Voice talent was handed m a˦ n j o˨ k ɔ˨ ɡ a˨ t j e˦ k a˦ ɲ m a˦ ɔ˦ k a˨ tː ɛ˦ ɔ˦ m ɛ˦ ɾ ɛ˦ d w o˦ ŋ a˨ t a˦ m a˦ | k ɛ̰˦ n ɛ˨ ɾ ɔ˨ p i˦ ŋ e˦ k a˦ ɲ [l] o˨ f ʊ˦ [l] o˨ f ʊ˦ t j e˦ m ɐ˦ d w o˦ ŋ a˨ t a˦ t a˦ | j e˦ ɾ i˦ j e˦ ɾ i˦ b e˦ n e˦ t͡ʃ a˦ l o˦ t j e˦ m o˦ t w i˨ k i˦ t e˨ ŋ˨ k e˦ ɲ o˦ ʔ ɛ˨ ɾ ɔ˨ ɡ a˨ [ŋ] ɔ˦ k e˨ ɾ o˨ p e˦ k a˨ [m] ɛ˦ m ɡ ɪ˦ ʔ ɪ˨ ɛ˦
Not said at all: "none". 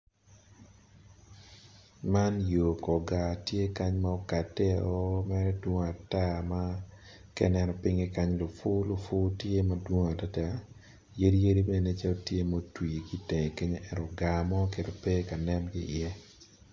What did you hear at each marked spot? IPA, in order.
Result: l, l, m, n

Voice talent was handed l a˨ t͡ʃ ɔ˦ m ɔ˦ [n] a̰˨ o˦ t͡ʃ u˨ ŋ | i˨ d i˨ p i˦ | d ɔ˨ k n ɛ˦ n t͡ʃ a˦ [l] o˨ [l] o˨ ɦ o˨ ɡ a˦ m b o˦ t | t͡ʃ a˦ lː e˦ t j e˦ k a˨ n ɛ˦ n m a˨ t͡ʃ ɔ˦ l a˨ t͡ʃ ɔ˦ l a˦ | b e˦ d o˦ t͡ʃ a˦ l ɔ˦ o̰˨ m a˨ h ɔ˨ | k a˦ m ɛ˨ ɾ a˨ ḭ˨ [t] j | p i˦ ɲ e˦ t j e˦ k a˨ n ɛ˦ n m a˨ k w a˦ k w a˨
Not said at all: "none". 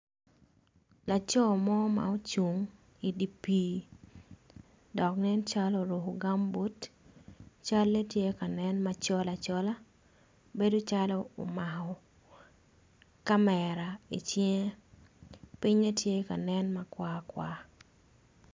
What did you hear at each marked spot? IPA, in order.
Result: m, l, ɾ, t͡ʃ

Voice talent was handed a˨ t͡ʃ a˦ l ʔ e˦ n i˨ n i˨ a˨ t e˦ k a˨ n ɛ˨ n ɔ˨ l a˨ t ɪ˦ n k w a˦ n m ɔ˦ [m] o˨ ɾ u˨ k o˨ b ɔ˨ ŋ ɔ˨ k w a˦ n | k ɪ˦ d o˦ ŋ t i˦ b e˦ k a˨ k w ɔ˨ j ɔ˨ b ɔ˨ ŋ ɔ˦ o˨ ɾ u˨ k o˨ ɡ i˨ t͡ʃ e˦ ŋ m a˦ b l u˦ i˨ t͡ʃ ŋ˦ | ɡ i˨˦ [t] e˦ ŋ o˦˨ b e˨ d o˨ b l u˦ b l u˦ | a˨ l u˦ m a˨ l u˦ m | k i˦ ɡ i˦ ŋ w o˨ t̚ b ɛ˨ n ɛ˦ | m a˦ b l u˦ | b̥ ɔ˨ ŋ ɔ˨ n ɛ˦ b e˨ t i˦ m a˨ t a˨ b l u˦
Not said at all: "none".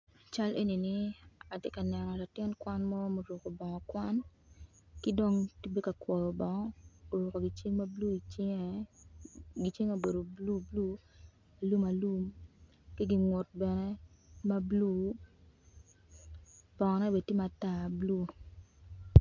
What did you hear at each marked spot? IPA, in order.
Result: m, t͡ʃ

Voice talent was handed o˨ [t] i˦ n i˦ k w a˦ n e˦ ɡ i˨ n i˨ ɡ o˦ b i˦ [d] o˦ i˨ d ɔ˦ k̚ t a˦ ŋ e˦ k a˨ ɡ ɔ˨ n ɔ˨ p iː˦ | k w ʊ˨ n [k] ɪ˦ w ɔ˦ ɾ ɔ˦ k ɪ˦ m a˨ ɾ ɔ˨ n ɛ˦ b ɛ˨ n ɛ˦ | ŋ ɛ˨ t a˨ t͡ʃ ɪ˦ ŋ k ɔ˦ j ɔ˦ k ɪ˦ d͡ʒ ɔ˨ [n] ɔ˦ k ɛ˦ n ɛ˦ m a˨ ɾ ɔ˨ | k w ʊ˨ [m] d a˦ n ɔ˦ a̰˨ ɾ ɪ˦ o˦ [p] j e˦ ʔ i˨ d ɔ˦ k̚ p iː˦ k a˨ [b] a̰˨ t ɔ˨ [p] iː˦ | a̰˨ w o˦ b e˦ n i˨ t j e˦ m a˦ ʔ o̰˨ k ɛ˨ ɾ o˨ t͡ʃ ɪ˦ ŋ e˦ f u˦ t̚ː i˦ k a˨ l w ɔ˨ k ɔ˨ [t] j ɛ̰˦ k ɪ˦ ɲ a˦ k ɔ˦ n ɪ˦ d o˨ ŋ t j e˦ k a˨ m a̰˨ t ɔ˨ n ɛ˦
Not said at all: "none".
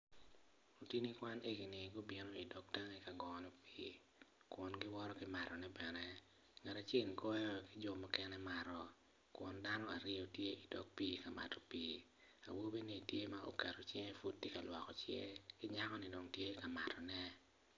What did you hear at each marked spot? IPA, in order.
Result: t, n, ɡ, m, n, t, m, p, t͡ʃ

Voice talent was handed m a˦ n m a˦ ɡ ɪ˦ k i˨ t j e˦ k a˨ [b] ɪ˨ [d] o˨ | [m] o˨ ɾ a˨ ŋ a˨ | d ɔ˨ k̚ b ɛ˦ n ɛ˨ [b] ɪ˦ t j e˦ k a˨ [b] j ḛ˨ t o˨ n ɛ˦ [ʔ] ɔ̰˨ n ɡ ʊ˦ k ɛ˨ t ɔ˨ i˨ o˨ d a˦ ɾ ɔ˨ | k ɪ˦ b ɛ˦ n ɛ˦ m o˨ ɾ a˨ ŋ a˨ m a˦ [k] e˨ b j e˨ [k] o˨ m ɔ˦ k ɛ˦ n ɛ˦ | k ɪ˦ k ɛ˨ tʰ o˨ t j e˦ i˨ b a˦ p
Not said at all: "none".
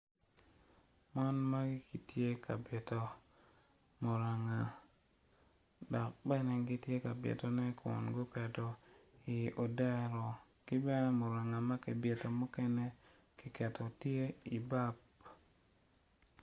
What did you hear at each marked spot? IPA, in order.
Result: b, t, m, ɡ, b, k, k, t

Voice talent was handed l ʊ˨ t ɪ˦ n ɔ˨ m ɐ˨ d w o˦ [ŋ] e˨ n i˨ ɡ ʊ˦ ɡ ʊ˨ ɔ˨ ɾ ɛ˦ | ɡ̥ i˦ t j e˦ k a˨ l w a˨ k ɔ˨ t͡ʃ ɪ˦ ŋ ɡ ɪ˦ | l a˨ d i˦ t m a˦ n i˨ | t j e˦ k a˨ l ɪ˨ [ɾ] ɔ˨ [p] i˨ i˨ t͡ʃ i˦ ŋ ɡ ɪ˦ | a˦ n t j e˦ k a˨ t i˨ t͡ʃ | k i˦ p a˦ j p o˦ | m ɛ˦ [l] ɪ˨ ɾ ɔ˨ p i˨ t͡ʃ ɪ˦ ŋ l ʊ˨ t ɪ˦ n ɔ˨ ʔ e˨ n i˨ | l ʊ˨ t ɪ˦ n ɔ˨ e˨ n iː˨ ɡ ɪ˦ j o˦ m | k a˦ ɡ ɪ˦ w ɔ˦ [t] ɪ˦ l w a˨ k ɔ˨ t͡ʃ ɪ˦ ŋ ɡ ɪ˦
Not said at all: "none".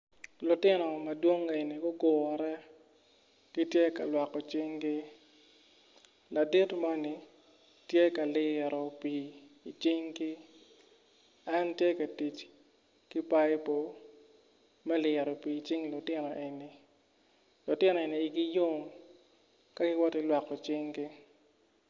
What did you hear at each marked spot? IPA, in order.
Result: ŋ, ɾ, p, l, t

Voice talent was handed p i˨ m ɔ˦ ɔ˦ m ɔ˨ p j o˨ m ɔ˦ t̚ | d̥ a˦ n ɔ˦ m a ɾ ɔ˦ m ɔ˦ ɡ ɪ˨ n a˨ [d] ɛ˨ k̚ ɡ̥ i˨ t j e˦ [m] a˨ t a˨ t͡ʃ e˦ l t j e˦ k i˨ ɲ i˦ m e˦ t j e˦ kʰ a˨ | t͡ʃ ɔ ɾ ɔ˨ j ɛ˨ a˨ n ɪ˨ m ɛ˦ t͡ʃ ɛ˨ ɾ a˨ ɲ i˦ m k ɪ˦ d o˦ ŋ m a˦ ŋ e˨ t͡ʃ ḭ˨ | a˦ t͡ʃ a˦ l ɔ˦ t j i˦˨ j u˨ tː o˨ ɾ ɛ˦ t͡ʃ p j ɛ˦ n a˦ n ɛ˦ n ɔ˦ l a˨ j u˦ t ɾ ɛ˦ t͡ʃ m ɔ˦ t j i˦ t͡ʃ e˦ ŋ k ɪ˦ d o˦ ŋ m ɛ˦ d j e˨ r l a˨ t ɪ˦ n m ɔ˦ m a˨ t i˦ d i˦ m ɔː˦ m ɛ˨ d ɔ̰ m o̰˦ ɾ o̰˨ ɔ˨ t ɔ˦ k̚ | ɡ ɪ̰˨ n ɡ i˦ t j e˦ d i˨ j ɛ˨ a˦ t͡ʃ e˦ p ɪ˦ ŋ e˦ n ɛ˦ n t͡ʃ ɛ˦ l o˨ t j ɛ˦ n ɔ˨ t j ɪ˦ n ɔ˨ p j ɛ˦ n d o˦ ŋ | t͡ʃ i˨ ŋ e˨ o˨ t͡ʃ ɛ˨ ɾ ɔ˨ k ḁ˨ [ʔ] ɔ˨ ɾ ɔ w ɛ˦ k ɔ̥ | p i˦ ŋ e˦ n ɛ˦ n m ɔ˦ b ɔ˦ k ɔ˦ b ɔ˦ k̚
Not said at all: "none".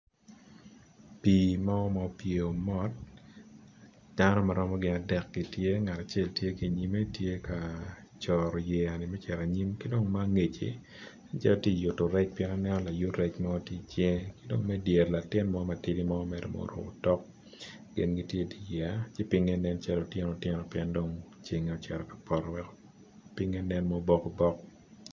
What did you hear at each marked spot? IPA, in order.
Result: d, ŋ, p

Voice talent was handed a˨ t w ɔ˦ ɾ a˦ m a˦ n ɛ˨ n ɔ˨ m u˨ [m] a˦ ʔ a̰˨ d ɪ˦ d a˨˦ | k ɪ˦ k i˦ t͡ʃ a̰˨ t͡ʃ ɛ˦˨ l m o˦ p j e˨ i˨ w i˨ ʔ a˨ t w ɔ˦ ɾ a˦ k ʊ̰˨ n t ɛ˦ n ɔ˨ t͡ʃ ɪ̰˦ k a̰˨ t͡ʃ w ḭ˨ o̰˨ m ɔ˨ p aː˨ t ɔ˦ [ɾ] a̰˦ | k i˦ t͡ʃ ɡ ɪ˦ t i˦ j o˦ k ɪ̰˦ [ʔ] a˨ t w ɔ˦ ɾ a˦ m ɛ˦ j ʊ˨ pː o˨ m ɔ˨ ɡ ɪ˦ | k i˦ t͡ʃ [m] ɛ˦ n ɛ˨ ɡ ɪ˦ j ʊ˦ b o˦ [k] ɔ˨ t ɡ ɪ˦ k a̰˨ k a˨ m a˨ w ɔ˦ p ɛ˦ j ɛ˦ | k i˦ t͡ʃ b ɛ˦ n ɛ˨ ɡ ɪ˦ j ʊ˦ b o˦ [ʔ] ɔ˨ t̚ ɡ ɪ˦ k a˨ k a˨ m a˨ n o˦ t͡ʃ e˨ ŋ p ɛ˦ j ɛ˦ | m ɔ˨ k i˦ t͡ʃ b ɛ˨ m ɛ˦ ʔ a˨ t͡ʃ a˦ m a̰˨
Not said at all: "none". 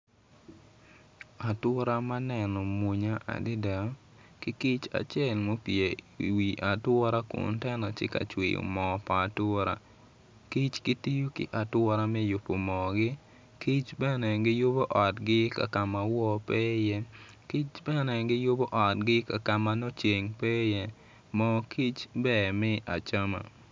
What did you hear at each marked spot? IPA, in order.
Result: ɲ, ɾ, ʔ, b, ʔ, ʔ

